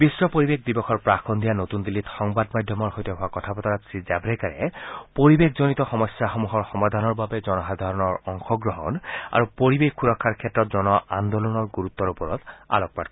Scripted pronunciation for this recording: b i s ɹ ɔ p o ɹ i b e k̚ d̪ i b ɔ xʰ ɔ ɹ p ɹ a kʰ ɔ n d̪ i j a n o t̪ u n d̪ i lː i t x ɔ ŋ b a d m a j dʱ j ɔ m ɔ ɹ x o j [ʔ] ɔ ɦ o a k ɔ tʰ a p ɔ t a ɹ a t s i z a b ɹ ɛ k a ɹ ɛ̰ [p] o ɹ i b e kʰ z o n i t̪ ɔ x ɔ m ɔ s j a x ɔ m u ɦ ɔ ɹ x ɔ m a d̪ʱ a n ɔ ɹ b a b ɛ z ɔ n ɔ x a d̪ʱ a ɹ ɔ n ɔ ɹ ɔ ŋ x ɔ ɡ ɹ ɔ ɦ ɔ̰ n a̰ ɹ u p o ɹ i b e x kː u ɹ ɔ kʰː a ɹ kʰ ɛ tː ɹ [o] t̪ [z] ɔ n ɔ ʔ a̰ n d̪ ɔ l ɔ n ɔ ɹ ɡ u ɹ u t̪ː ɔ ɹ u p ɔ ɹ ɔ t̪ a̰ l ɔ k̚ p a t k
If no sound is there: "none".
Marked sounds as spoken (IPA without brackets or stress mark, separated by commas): t, p, ɔ, z